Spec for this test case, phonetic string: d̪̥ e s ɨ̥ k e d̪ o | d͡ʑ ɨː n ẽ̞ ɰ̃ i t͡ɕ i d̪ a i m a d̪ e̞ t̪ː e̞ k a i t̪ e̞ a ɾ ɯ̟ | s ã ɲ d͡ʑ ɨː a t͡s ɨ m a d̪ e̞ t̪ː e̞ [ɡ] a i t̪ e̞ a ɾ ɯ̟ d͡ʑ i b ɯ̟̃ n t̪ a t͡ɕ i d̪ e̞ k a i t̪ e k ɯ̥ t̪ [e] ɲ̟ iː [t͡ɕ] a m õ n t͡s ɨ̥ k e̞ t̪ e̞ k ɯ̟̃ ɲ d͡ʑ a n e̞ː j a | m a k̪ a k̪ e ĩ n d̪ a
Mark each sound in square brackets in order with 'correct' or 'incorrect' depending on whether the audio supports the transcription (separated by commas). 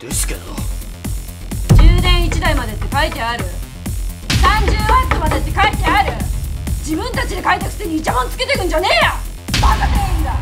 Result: incorrect, correct, correct